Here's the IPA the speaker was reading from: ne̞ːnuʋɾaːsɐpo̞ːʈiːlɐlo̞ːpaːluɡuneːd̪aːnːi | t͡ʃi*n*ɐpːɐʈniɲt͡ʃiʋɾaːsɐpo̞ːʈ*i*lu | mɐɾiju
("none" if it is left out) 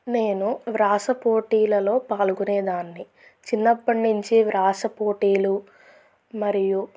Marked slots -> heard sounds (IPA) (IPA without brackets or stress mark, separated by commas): nː, iː